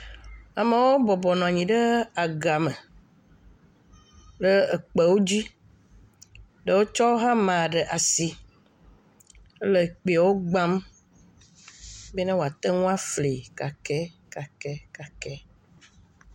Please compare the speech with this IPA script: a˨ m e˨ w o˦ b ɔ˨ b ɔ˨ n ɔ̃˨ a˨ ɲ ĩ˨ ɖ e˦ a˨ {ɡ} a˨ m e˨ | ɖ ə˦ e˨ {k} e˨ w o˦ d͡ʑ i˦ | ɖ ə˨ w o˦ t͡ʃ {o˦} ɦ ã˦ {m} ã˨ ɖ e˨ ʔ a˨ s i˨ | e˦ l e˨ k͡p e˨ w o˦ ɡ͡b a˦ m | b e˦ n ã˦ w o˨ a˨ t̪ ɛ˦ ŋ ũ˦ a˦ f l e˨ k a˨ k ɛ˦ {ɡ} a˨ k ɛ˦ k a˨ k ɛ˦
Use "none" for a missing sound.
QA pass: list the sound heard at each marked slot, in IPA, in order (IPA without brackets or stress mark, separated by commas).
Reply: ɡ, k͡p, ɔ˦, m, k